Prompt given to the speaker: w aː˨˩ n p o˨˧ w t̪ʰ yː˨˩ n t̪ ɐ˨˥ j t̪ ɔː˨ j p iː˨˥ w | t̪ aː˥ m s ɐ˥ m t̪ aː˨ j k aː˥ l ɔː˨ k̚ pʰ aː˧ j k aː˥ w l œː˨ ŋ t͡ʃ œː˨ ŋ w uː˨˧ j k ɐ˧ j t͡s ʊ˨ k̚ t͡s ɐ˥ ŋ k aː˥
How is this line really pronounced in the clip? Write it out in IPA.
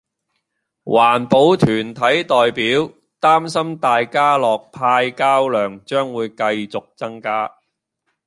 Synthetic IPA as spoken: w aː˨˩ n p o˨˧ w t̪ʰ yː˨˩ n t̪ʰ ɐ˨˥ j t̪ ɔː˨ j p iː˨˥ w | t̪ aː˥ m s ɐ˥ m t̪ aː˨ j k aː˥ l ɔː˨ k̚ pʰ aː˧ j k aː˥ w l œː˨ ŋ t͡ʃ œː˥ ŋ w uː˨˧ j k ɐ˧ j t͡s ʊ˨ k̚ t͡s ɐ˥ ŋ k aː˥